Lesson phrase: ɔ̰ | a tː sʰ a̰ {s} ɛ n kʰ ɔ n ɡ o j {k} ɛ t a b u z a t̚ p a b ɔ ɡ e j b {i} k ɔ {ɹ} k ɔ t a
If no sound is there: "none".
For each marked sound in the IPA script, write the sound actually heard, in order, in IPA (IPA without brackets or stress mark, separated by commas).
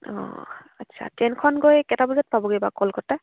t, k, a, l